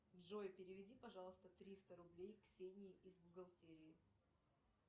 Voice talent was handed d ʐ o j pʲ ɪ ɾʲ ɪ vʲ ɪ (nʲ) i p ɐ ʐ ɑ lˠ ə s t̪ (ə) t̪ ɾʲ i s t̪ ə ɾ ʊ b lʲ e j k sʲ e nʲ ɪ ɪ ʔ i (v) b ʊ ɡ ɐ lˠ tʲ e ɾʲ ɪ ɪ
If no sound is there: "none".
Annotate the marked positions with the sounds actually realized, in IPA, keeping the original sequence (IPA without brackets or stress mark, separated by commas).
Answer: dʲ, ə, z